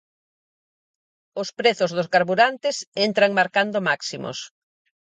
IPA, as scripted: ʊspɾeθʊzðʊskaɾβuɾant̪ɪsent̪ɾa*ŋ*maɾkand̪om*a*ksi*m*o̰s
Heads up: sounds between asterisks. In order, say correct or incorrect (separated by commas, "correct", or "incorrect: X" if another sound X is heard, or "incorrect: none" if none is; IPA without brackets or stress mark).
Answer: correct, correct, correct